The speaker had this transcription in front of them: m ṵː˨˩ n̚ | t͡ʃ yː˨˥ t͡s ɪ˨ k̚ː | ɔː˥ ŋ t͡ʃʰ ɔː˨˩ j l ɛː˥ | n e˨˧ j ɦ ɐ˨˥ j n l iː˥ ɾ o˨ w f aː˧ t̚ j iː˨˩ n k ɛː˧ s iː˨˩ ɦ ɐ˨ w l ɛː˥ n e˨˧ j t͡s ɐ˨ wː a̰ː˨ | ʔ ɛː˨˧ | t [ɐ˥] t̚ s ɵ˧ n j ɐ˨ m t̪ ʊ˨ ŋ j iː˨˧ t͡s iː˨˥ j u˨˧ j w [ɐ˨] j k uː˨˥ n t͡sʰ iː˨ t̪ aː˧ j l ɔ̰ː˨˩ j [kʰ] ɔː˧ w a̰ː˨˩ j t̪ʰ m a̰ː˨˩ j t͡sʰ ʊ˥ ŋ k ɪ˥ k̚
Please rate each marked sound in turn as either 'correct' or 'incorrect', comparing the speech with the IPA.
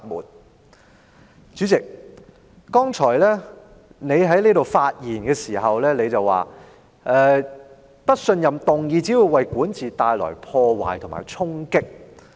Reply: correct, correct, incorrect

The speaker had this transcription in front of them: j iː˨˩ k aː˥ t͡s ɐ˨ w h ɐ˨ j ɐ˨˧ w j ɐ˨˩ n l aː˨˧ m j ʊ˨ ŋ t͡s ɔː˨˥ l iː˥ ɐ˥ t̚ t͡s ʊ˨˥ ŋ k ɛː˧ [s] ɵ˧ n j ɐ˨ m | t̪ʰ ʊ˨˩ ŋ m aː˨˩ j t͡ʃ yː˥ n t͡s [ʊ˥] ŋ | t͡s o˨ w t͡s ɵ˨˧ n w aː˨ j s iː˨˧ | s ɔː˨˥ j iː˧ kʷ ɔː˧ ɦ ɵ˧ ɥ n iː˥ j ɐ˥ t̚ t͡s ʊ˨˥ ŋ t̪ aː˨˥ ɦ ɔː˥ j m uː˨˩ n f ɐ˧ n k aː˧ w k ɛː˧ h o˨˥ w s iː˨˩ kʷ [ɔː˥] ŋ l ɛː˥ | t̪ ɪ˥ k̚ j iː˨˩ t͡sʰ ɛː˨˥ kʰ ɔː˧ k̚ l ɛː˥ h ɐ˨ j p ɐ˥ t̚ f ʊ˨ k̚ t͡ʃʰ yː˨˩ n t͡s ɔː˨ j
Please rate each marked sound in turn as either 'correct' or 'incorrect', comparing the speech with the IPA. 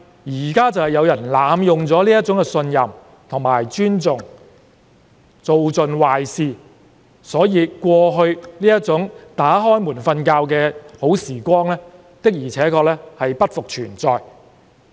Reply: correct, incorrect, correct

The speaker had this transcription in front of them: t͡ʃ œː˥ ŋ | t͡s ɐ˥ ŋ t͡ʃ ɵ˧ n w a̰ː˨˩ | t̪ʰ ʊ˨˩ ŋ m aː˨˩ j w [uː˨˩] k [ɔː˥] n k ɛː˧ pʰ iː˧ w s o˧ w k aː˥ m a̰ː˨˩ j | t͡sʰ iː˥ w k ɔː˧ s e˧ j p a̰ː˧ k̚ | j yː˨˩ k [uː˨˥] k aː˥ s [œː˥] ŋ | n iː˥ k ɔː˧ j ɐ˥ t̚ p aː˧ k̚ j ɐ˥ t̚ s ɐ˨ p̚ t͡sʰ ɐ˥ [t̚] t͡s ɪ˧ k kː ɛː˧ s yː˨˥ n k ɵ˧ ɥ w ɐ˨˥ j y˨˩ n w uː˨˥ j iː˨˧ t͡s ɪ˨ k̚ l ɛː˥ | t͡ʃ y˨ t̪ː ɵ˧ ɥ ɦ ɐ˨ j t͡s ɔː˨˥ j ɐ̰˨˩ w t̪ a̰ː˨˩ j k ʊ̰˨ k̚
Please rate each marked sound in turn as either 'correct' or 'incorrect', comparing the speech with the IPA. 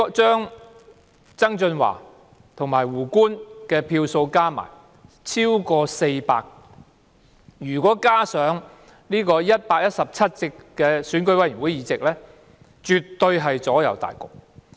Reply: correct, incorrect, incorrect, incorrect, correct

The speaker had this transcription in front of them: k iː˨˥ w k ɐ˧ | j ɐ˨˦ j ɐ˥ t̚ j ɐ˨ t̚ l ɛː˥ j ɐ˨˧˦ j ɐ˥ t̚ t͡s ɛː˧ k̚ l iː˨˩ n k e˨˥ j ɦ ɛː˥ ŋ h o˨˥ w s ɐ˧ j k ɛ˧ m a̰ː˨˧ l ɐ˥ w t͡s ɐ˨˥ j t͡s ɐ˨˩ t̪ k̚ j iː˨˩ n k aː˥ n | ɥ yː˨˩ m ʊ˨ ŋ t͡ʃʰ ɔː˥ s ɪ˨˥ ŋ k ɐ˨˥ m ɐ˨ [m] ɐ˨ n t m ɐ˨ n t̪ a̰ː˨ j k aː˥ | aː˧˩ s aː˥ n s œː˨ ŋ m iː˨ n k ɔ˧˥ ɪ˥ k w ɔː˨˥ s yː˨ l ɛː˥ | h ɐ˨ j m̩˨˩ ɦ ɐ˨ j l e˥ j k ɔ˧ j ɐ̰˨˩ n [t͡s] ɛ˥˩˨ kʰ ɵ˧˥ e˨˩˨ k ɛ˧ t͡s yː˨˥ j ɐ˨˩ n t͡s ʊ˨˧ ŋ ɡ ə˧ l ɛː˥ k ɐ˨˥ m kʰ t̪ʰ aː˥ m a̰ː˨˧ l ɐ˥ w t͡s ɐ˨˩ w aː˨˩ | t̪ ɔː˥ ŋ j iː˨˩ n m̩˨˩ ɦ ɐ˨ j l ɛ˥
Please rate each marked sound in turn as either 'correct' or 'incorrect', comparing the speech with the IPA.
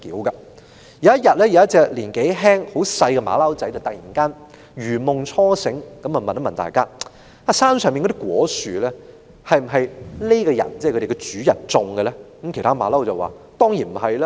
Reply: correct, correct

